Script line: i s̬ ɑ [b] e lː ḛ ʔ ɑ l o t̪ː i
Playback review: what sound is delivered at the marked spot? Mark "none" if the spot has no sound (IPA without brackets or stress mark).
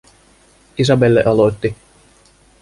b